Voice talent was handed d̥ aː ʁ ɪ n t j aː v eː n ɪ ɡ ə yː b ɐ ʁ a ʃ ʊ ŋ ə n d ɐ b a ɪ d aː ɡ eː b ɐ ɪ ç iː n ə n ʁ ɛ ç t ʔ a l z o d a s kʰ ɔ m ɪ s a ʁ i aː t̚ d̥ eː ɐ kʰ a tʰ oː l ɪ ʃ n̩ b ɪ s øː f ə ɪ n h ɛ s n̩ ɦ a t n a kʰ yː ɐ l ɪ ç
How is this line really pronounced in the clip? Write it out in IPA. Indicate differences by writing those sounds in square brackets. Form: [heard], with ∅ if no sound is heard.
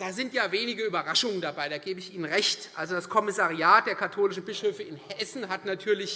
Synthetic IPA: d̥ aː [z] ɪ n t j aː v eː n ɪ ɡ ə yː b ɐ ʁ a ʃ ʊ ŋ ə n d [a] b a ɪ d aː ɡ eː b [ə] ɪ ç iː n ə n ʁ ɛ ç t ʔ a l z o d a s kʰ ɔ m ɪ s a ʁ i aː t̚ d̥ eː ɐ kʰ a tʰ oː l ɪ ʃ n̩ b ɪ [ʃ] øː f ə ɪ n h ɛ s n̩ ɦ a t n a [tʰ] yː ɐ l ɪ ç